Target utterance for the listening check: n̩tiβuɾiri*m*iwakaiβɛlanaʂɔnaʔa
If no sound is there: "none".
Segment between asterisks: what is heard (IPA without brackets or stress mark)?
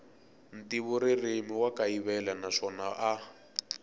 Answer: m